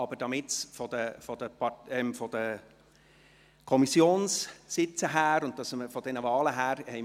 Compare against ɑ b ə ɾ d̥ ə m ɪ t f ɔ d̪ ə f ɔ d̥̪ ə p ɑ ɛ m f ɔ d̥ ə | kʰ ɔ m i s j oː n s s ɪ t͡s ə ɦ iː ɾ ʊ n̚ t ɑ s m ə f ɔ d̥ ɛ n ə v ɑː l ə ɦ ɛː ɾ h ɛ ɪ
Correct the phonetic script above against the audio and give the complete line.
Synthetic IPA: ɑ b ə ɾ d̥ ɑ m ɪ t f ɔ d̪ ə f ɔ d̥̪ ə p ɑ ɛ m f ɔ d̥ ə | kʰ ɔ m i s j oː n s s ɪ t͡s ə ɦ æː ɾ ʊ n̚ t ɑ s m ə f ɔ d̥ ɛ n ə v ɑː l ə ɦ æː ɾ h ɛ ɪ